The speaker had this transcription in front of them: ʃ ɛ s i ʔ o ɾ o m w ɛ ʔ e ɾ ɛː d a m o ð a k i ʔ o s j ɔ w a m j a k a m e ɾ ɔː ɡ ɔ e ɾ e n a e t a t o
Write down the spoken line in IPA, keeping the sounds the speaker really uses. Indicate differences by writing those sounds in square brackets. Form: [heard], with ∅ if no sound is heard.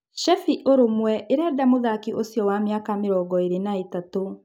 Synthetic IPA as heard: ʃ ɛ [f] i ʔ o ɾ o m w ɛ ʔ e ɾ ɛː d a m o ð a k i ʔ o s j ɔ w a m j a k a m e ɾ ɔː ɡ ɔ e ɾ e n a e t a t o